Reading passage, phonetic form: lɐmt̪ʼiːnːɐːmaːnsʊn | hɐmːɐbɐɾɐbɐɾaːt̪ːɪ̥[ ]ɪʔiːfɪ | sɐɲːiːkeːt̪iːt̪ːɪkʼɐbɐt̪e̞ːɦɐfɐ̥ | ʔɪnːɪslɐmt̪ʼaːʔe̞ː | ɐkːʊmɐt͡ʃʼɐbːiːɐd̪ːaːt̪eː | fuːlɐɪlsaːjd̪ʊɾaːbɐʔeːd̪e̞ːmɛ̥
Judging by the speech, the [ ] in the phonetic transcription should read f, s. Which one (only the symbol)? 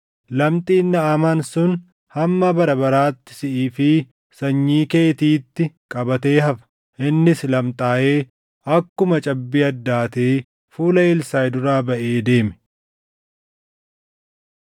s